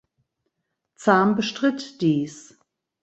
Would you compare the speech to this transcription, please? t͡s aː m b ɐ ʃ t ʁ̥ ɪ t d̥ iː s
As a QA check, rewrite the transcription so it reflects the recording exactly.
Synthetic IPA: t͡s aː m b ə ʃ t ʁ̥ ɪ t d̥ iː s